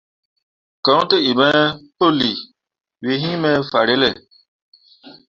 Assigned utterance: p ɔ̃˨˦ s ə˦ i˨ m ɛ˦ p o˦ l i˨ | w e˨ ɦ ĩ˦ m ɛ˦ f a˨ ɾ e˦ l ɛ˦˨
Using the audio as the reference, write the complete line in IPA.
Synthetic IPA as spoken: k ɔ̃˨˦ t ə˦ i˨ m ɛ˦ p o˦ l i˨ | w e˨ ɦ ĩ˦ m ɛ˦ f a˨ ɾ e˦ l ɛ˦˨